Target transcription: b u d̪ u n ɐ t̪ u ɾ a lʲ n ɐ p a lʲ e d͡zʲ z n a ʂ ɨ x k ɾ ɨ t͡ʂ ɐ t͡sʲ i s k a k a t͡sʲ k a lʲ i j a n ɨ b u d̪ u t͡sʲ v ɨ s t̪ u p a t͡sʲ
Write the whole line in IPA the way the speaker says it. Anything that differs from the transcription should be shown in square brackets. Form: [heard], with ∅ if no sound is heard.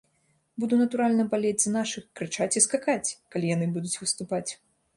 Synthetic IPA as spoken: b u d̪ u n ɐ t̪ u ɾ a lʲ n ɐ [b] a lʲ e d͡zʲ z n a ʂ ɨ x k ɾ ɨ t͡ʂ [a] t͡sʲ i s k a k a t͡sʲ k a lʲ i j a n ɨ b u d̪ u t͡sʲ v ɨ s t̪ u p a t͡sʲ